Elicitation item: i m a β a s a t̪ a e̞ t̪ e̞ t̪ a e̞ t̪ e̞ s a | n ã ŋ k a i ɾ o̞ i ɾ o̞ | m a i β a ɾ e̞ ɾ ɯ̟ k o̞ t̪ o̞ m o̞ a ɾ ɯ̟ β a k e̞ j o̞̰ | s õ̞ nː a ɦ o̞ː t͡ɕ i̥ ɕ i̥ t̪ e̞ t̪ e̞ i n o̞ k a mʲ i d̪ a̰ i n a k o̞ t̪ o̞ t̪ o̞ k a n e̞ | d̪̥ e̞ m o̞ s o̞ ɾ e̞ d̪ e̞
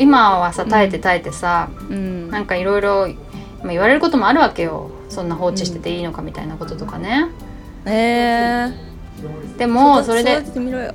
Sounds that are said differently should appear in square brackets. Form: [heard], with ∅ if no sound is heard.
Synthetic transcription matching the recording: i m a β a s a t̪ a e̞ t̪ e̞ t̪ a e̞ t̪ e̞ s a | n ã ŋ k a i ɾ o̞ i ɾ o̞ | m a i β a ɾ e̞ ɾ ɯ̟ k o̞ t̪ o̞ m o̞ a ɾ ɯ̟ β a k e̞ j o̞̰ | s õ̞ nː a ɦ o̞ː t͡ɕ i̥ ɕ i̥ t̪ e̞ t̪ e̞ [iː] n o̞ k a mʲ i [t̪] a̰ i n a k o̞ t̪ o̞ t̪ o̞ k a n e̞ | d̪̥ e̞ m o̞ s o̞ ɾ e̞ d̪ e̞